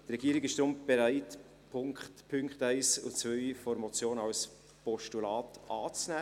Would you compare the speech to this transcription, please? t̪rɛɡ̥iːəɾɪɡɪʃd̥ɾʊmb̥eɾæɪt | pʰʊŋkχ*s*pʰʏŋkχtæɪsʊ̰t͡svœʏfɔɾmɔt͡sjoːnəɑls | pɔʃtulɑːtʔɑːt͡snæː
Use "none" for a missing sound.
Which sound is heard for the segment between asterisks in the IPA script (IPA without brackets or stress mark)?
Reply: t